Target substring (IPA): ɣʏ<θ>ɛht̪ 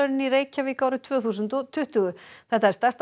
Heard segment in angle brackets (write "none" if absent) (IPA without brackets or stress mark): θ